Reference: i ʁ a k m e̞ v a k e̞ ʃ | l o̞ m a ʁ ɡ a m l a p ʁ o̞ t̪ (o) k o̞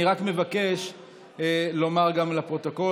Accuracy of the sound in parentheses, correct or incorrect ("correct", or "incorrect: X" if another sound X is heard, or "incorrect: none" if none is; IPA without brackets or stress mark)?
correct